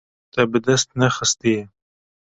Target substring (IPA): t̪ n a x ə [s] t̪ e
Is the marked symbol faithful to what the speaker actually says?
yes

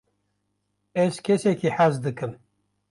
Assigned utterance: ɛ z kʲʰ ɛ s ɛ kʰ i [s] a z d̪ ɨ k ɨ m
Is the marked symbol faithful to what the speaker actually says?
no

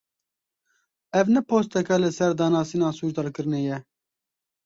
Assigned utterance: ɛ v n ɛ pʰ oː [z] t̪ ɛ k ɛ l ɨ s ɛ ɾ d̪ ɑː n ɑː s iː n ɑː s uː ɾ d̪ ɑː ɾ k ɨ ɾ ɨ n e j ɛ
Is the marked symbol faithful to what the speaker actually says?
no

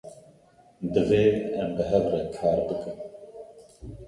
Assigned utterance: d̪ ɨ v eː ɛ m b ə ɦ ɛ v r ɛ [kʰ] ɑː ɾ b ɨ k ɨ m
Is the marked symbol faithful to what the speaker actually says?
yes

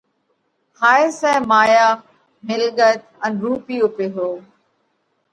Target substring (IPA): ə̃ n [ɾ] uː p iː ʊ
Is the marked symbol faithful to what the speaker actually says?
yes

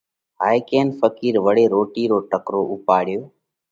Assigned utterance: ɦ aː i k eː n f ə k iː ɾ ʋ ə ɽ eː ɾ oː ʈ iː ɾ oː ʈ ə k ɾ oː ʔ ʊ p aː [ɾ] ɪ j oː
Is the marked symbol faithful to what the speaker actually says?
no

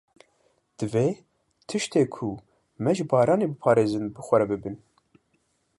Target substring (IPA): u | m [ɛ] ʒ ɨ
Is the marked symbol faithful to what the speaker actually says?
yes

